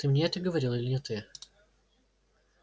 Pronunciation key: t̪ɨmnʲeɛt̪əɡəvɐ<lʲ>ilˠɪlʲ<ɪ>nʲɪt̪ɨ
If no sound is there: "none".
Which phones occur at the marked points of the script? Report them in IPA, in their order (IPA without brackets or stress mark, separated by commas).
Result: ɾʲ, ɪ